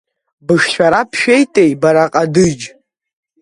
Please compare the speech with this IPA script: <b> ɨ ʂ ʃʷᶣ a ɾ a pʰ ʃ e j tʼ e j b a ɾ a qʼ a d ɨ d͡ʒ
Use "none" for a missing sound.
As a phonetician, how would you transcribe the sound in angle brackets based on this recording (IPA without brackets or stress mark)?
b